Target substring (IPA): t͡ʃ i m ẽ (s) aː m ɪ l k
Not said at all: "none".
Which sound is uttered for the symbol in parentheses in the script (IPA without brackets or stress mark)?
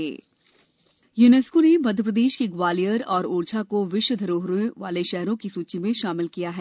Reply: ʃ